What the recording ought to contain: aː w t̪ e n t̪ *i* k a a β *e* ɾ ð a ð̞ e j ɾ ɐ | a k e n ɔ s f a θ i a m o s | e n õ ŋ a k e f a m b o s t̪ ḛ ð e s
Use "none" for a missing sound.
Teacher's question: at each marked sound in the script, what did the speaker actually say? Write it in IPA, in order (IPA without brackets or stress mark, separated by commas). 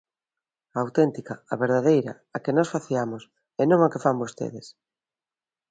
i, e